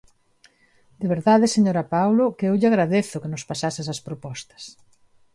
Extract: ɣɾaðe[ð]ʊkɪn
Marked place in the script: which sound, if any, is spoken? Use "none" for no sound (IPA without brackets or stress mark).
θ